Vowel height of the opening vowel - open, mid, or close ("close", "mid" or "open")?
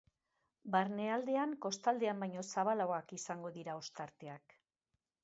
open